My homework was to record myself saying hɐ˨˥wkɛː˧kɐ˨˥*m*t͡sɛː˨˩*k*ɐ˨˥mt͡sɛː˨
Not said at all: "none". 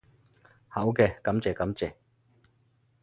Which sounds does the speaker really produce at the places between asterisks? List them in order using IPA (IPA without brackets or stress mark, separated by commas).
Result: m, k